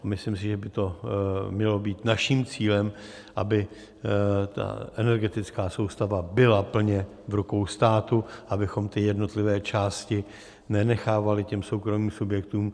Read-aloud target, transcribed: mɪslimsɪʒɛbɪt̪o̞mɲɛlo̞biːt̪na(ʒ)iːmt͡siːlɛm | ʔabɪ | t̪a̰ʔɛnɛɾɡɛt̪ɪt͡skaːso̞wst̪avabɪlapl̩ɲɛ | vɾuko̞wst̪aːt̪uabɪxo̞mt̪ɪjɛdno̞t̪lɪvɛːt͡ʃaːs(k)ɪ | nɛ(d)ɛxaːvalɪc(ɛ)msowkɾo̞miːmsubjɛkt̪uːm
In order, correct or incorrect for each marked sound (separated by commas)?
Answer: incorrect, incorrect, incorrect, correct